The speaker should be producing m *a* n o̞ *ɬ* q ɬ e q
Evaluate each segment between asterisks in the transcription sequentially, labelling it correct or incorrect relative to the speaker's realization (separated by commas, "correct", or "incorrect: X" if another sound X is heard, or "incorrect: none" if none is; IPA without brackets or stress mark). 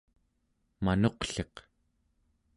correct, incorrect: none